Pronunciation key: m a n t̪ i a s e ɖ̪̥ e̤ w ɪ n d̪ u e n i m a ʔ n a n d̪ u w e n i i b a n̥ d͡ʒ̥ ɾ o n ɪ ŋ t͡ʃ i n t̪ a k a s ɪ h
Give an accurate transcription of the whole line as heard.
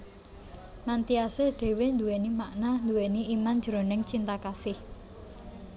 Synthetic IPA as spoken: m a n t̪ i a s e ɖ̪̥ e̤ w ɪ n d̪ u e n i m a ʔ n a n d̪ u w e n i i m a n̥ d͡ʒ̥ ɾ o n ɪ ŋ t͡ʃ i n t̪ a k a s ɪ h